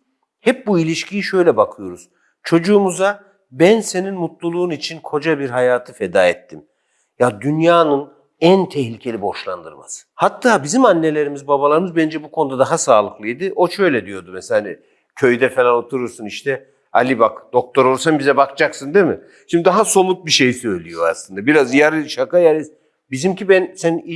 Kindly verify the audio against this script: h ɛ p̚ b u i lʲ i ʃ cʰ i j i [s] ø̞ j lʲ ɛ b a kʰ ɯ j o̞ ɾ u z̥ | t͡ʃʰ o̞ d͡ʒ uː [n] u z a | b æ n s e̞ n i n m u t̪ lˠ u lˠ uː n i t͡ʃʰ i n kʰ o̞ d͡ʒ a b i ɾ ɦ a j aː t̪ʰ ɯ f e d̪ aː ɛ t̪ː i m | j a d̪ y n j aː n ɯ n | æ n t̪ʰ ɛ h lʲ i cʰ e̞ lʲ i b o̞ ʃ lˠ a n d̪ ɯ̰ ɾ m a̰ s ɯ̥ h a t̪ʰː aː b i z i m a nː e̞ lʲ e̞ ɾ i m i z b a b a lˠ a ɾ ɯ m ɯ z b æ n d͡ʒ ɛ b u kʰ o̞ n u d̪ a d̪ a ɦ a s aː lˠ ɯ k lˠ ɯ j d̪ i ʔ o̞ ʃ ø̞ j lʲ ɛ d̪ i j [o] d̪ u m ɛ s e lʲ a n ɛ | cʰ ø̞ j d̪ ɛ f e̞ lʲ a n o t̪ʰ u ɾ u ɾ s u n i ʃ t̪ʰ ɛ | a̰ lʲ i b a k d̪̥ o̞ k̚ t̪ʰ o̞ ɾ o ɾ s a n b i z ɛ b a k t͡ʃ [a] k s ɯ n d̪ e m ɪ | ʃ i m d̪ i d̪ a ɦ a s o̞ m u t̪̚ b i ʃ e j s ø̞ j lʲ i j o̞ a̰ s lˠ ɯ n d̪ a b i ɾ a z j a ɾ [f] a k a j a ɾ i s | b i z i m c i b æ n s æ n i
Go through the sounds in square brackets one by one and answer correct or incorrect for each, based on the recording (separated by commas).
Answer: incorrect, incorrect, correct, correct, incorrect